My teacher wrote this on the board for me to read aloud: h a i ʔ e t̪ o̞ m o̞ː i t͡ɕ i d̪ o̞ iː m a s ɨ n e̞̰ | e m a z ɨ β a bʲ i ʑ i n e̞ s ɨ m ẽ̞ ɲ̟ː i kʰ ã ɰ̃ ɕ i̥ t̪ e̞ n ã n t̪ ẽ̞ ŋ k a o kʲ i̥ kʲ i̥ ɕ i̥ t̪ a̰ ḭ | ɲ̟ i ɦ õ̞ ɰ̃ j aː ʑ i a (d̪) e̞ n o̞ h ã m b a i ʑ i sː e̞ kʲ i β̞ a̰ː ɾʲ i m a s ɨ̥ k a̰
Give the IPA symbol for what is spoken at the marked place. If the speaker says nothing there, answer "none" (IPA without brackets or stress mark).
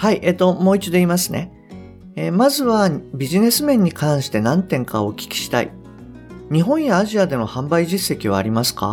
d̪